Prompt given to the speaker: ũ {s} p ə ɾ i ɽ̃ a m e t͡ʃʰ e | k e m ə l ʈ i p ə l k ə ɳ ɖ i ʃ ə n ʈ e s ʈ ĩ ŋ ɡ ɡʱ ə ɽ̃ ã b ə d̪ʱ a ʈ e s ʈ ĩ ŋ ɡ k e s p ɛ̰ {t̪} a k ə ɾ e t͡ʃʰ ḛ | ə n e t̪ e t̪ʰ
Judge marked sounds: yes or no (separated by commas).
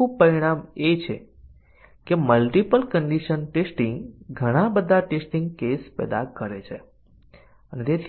no, no